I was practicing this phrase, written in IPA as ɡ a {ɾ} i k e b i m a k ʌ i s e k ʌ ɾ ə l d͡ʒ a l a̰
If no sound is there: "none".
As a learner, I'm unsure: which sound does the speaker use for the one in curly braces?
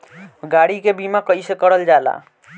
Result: ɽ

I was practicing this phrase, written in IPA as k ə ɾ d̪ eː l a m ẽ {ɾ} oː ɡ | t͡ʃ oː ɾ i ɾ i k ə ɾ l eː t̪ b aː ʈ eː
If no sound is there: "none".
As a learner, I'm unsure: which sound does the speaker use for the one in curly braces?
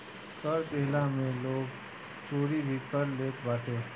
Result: l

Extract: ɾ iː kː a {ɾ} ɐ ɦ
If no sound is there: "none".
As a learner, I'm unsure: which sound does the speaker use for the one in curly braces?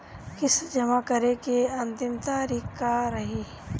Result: ɾ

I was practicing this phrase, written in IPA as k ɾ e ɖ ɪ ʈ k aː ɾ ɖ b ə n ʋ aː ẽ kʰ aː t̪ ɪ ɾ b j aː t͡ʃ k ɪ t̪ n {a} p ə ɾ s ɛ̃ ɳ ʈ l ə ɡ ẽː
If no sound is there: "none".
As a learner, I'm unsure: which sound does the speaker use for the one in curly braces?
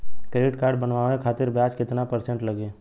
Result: a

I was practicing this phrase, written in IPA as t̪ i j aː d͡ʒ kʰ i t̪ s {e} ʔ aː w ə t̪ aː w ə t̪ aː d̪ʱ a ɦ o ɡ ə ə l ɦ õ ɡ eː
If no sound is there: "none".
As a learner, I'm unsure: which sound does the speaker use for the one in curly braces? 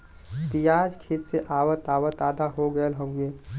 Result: e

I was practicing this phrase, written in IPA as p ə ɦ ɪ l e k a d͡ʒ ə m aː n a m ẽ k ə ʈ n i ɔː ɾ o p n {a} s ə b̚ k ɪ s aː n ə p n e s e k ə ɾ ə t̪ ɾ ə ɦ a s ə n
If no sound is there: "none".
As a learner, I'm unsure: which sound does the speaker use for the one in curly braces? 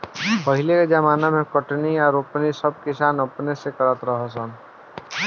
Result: i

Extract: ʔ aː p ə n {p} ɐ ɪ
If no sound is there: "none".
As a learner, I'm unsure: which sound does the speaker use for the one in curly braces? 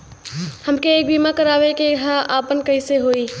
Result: k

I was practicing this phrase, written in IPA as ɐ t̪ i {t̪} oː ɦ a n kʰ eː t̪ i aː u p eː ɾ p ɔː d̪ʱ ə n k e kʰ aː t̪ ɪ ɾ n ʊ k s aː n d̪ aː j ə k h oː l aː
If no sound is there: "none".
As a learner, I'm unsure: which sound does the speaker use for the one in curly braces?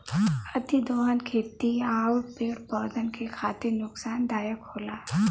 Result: d̪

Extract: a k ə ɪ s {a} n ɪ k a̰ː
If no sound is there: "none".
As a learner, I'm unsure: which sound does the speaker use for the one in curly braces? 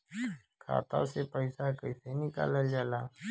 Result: e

